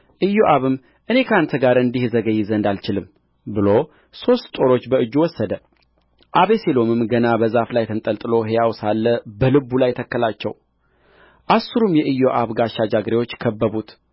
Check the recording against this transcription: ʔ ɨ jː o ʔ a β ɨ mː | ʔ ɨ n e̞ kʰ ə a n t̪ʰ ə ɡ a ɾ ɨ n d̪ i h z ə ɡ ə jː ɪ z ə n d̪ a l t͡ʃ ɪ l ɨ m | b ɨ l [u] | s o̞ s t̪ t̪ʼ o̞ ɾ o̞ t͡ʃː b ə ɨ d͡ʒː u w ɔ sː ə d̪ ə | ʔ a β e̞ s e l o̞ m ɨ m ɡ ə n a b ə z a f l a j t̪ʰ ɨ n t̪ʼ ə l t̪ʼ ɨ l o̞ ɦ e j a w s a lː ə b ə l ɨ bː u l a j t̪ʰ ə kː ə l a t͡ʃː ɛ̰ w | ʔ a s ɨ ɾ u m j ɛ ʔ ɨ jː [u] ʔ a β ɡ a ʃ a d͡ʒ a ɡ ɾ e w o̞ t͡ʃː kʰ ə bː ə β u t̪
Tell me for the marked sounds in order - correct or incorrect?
incorrect: o, incorrect: o

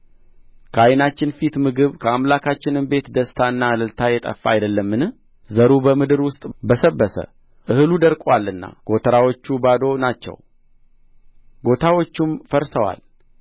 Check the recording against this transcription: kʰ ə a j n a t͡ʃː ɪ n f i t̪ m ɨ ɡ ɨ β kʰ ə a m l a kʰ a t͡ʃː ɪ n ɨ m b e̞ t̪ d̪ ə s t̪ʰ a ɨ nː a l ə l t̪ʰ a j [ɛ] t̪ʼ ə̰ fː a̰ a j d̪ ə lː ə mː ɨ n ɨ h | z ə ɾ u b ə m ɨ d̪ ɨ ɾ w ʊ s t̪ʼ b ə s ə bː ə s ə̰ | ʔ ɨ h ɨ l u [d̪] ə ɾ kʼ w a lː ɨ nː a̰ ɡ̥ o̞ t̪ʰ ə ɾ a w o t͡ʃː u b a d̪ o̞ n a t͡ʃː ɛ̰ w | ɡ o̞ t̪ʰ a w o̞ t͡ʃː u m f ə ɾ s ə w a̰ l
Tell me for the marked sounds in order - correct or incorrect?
correct, correct

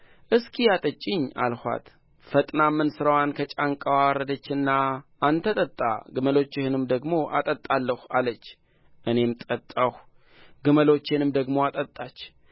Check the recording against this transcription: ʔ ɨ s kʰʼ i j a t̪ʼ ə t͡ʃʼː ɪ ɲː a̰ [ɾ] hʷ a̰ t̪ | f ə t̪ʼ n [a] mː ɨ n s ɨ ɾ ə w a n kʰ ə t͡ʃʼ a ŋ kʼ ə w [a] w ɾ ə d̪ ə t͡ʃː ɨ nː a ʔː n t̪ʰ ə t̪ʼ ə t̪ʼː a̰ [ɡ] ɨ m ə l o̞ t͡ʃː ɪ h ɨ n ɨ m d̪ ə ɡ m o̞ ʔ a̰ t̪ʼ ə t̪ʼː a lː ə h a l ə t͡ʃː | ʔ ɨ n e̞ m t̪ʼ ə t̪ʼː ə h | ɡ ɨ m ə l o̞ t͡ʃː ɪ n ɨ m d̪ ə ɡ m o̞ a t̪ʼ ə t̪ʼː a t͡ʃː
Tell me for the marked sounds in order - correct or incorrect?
incorrect: l, correct, correct, correct

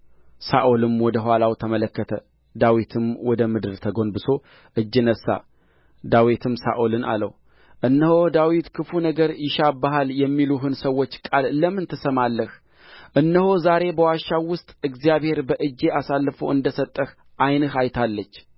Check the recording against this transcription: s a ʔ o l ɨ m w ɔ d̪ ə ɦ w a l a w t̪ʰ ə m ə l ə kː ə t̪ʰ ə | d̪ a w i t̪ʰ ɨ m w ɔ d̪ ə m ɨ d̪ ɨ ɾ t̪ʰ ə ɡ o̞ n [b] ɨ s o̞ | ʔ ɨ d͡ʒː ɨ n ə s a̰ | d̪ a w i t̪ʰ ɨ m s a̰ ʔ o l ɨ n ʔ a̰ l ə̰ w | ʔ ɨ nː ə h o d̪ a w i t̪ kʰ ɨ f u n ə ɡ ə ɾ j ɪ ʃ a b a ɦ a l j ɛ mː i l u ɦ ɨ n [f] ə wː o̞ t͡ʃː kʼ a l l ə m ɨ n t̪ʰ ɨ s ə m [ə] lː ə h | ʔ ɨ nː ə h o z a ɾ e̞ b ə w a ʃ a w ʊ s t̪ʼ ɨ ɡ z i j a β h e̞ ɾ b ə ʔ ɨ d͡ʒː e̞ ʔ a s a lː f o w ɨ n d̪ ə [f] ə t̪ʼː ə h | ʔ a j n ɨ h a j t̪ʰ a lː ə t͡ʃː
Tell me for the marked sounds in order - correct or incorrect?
correct, incorrect: s, incorrect: a, incorrect: s

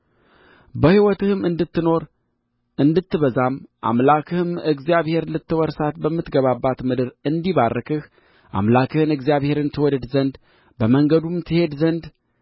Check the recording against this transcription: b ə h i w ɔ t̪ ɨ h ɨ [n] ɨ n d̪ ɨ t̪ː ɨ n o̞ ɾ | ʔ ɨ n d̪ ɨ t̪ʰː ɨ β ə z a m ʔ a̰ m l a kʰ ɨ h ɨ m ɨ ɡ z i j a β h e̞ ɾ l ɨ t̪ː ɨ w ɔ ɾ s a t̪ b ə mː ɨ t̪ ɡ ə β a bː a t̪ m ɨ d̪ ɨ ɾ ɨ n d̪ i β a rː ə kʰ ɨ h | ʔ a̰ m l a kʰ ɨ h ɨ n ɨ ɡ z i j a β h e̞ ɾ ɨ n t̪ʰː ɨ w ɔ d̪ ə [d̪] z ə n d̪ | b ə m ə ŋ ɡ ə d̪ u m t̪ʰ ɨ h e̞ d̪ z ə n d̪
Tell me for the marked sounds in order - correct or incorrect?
incorrect: m, correct

